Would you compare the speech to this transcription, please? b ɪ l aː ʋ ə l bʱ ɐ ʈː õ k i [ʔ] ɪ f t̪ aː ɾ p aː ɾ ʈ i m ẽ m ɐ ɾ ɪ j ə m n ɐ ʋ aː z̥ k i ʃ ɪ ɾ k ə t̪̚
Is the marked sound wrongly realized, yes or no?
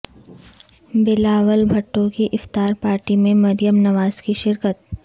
no